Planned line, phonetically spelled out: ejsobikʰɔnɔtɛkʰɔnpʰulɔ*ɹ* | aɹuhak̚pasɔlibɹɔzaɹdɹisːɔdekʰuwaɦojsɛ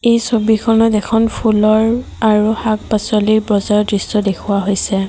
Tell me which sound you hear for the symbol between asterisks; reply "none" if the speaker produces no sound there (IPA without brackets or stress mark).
ɹ